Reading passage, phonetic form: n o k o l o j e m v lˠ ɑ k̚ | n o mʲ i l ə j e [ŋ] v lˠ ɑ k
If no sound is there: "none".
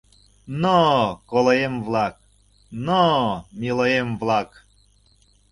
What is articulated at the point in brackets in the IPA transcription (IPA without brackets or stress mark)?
m